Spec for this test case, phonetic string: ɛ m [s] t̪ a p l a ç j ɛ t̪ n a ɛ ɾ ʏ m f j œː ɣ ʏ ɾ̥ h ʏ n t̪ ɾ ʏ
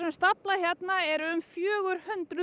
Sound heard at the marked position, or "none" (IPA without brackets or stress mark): s